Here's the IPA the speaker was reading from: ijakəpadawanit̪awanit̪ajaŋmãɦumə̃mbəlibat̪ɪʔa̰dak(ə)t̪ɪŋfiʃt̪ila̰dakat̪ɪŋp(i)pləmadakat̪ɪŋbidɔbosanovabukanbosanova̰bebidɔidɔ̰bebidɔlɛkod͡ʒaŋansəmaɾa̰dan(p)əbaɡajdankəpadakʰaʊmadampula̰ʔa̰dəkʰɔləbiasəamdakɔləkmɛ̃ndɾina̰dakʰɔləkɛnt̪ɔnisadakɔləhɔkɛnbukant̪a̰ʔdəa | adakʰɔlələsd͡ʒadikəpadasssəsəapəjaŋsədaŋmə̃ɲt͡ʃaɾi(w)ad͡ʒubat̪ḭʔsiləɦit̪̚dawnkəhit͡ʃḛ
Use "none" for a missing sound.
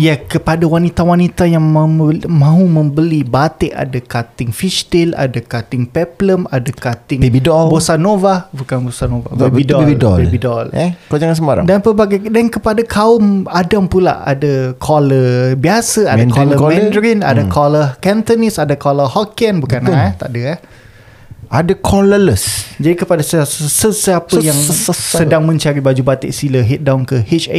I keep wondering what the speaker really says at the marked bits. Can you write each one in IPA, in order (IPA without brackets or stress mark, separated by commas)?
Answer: a, ɛ, p, b